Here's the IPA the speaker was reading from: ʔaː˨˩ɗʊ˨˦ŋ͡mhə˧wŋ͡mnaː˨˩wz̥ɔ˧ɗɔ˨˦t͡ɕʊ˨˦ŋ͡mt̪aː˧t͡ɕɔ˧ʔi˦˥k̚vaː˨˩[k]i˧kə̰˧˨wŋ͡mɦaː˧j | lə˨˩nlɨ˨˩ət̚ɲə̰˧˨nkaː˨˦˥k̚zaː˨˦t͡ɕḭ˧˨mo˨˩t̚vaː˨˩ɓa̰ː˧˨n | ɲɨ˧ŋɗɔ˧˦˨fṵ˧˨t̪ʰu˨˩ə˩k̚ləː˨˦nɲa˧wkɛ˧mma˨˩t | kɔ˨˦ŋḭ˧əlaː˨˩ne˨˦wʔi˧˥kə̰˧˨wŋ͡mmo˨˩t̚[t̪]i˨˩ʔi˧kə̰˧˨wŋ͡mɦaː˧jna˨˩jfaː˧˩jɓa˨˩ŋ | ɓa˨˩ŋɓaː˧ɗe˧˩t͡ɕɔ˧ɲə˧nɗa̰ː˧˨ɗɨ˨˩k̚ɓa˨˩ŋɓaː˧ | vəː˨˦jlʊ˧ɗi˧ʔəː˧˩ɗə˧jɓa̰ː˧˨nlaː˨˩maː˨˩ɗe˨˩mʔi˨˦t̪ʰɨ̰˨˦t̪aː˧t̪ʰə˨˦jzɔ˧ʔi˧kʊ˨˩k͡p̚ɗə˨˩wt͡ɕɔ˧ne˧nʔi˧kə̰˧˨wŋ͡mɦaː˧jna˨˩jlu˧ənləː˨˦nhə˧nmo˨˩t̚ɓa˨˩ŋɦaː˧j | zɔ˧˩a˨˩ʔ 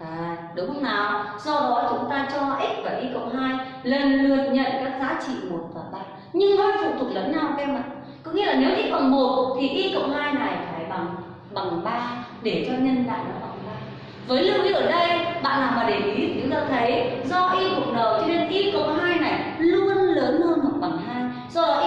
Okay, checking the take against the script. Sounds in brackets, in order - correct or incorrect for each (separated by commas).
incorrect, incorrect